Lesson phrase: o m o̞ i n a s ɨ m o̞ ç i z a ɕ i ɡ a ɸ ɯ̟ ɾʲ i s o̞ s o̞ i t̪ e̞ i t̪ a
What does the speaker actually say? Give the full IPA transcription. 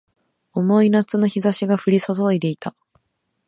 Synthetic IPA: o m o̞ i n a t͡s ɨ n o̞ ç i z a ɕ i ɡ a ɸ ɯ̟ ɾʲ i s o̞ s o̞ i d̪ e̞ i t̪ a